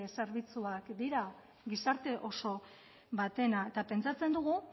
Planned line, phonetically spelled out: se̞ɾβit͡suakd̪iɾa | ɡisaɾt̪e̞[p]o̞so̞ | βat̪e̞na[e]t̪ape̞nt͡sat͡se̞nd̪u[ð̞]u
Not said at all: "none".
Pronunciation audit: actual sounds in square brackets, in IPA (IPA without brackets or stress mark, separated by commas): ʔ, e, ɣ̞